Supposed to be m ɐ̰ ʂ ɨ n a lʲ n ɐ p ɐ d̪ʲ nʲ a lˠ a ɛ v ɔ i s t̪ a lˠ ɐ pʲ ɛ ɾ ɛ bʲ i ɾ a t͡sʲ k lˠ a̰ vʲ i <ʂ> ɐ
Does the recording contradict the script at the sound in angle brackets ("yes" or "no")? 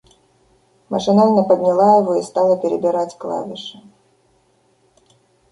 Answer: no